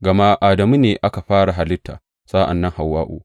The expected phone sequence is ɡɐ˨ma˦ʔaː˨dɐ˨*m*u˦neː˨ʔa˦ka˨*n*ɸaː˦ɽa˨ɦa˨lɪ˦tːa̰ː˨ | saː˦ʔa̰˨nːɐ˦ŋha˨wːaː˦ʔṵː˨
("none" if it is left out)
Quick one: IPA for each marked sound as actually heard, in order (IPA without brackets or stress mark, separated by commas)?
m, none